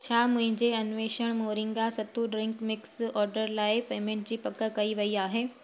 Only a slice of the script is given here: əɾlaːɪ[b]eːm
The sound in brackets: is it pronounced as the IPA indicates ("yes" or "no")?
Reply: no